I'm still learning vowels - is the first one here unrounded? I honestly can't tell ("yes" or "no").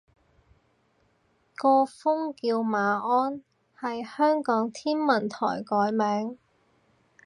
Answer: no